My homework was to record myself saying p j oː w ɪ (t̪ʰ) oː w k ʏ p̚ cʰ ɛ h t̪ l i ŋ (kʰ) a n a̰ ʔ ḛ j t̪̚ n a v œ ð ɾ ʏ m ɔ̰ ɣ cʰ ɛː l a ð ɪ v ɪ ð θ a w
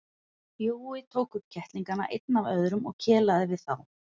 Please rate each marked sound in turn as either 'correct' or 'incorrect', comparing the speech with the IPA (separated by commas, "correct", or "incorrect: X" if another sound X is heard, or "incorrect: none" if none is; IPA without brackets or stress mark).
correct, incorrect: k